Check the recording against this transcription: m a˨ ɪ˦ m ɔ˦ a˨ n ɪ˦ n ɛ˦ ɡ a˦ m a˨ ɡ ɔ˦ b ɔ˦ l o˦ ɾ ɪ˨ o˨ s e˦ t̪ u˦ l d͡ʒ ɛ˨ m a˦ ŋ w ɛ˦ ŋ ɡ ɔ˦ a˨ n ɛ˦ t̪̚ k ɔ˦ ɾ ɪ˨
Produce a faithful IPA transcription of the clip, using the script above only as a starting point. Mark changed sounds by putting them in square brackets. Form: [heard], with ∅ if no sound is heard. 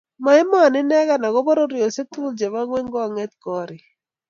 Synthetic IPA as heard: m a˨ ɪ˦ m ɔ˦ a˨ n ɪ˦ n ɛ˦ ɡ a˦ [n] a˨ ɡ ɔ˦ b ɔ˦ [ɾ] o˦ ɾ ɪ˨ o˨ s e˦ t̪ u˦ l d͡ʒ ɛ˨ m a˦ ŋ w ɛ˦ ŋ ɡ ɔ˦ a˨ [ŋ] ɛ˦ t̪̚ k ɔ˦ ɾ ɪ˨